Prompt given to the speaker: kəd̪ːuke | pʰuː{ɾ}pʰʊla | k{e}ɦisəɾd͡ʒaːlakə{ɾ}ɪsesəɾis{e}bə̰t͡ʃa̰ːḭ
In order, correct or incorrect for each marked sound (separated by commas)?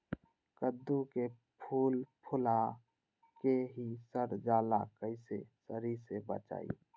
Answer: incorrect, correct, incorrect, correct